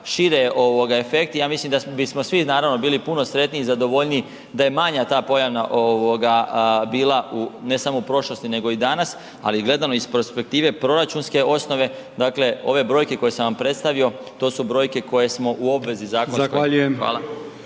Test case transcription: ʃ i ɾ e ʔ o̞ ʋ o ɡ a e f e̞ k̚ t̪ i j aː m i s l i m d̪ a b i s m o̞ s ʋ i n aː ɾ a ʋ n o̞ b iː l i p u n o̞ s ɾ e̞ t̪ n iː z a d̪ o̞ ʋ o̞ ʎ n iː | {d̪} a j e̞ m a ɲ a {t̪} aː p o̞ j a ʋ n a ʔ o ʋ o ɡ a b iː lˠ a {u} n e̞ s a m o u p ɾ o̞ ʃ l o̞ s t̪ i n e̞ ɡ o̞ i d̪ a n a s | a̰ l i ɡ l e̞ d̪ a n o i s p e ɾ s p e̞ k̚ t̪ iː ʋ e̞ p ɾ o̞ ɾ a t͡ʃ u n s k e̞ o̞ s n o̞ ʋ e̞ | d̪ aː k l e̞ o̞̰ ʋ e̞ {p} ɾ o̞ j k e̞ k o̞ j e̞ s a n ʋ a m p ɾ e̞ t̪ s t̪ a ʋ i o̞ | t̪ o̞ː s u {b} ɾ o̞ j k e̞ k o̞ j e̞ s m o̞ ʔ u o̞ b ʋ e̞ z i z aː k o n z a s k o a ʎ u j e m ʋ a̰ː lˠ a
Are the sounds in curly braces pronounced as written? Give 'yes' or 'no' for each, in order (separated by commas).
yes, yes, yes, no, yes